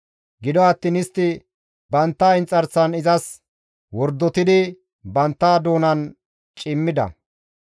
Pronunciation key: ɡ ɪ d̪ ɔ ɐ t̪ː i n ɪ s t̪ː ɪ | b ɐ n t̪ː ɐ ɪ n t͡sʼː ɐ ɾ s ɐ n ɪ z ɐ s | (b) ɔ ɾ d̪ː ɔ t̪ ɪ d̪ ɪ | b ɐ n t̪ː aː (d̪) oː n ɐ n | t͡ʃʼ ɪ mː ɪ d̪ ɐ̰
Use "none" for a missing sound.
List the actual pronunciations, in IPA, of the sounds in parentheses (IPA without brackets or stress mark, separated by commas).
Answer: w, d̪